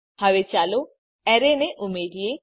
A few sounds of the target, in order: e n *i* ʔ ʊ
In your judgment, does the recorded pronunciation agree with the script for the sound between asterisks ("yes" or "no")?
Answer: no